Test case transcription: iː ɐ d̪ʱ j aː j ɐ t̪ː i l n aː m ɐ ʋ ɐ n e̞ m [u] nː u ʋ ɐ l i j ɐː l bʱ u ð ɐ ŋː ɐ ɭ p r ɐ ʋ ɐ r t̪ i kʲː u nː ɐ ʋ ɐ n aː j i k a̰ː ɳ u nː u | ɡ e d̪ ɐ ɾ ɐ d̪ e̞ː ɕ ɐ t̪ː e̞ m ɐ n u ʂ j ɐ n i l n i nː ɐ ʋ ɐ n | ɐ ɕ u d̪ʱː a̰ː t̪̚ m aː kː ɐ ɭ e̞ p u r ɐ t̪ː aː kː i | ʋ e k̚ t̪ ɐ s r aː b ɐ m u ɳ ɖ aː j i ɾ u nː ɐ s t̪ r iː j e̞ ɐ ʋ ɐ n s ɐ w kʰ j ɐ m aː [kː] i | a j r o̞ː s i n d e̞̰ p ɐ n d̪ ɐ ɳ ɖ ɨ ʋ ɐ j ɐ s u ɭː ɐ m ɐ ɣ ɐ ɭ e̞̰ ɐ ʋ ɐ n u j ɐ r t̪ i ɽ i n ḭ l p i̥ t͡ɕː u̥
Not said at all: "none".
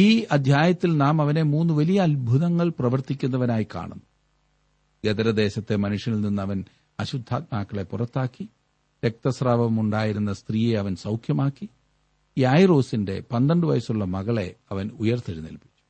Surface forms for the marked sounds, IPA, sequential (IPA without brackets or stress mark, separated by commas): uː, kː